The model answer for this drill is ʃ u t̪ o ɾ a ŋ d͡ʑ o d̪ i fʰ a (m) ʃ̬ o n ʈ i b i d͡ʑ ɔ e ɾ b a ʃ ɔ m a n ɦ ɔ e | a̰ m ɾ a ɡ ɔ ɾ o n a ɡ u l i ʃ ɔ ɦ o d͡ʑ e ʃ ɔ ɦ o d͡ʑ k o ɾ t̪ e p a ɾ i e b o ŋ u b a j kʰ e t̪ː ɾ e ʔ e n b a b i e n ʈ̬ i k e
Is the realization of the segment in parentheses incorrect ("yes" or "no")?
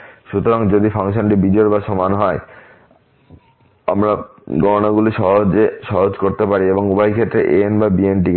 yes